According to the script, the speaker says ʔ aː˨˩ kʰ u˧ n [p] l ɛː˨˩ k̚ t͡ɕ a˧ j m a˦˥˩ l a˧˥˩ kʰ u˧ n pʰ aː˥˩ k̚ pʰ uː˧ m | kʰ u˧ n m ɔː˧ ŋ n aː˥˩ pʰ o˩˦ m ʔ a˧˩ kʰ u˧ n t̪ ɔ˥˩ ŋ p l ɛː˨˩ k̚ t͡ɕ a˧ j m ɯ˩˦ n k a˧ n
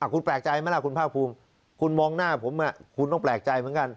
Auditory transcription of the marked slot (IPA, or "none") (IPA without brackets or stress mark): p